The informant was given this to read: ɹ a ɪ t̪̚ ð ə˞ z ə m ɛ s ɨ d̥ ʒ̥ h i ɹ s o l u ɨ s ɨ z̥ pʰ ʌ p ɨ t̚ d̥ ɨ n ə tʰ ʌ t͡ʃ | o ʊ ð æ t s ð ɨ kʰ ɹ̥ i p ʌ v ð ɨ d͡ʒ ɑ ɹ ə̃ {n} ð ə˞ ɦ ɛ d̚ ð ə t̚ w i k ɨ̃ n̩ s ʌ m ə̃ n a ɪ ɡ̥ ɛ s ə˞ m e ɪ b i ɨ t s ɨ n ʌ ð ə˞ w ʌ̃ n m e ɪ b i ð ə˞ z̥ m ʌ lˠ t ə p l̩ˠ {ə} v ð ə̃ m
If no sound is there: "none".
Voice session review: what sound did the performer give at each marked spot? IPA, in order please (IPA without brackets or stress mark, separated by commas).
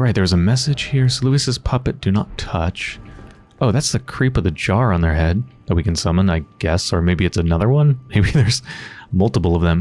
n, ʌ